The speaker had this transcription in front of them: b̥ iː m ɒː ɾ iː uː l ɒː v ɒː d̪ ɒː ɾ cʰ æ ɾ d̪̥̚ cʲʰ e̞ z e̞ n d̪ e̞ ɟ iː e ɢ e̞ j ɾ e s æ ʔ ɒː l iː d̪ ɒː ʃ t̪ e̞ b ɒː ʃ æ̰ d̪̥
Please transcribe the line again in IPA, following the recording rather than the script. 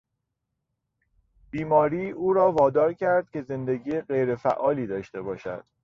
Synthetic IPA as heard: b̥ iː m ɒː ɾ iː uː ɾ ɒː v ɒː d̪ ɒː ɾ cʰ æ ɾ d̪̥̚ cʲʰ e̞ z e̞ n d̪ e̞ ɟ iː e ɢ e̞ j ɾ e f æ ʔ ɒː l iː d̪ ɒː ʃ t̪ e̞ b ɒː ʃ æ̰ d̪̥